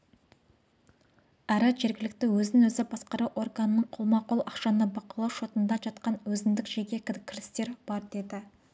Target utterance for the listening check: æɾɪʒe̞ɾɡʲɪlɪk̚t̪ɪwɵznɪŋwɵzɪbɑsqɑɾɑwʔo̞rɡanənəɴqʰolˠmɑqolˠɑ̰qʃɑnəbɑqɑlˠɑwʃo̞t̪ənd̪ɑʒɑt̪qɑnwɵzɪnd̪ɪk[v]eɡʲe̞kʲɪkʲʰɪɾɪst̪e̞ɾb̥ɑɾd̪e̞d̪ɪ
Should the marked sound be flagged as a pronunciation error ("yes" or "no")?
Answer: yes